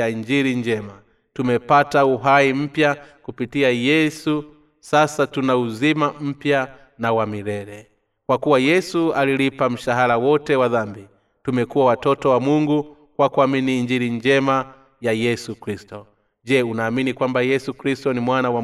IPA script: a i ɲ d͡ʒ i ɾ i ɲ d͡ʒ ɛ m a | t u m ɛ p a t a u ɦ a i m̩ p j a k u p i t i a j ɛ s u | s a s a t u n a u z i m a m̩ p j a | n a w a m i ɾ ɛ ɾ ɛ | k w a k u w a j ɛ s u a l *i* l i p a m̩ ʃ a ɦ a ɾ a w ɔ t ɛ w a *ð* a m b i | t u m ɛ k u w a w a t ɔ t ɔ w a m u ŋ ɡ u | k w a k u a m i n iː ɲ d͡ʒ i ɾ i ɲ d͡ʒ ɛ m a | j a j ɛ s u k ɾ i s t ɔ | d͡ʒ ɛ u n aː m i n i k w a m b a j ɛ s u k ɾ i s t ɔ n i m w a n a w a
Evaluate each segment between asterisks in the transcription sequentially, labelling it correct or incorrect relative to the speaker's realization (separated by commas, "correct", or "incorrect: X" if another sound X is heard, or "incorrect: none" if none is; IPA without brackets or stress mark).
correct, correct